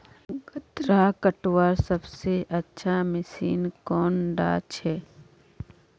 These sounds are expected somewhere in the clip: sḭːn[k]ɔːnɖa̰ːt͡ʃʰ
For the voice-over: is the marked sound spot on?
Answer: yes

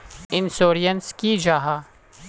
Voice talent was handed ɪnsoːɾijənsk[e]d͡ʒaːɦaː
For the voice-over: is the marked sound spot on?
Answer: no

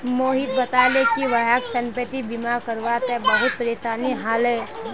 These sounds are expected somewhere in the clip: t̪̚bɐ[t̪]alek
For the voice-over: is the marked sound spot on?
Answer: yes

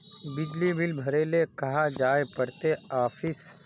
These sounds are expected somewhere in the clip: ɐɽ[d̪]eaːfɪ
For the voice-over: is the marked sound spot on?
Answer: no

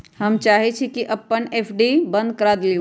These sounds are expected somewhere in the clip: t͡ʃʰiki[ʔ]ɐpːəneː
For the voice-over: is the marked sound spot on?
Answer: yes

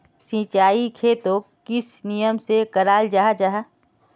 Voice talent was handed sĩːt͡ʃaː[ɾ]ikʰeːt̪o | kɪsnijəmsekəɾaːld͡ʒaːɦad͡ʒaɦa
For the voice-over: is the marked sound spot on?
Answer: no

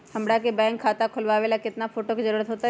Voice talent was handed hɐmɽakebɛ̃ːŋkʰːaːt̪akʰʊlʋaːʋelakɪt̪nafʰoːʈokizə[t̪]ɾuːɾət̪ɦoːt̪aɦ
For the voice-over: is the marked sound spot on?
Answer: no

